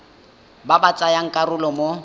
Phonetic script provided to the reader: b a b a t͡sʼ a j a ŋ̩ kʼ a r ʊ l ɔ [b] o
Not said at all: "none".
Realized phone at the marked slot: m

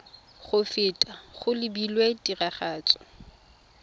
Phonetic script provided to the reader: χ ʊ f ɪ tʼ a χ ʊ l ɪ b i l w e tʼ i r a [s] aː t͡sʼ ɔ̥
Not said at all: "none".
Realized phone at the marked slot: χ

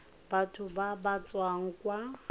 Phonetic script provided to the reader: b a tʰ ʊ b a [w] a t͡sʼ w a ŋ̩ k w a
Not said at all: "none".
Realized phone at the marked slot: b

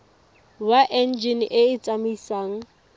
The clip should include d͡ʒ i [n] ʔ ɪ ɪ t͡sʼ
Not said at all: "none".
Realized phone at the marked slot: n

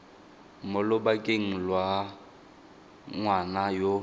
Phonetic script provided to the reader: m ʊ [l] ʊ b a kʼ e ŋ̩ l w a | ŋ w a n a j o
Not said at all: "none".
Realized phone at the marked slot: l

